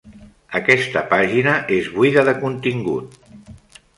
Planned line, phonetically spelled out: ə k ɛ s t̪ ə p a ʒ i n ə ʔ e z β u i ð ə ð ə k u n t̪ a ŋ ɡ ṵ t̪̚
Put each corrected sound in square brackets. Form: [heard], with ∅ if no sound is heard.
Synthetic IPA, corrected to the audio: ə k ɛ s t̪ ə p a ʒ i n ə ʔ e z β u i ð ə ð ə k u n t̪ [i] ŋ ɡ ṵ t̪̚